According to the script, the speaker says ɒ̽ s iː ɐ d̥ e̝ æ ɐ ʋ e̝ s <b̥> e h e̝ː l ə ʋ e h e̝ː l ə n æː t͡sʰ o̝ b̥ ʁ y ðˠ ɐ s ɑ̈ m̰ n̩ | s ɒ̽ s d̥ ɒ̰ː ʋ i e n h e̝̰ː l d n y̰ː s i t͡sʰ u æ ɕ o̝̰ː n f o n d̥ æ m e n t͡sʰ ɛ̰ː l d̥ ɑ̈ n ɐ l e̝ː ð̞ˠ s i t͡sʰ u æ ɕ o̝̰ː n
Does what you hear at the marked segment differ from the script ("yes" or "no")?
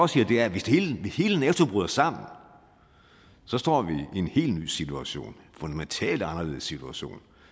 yes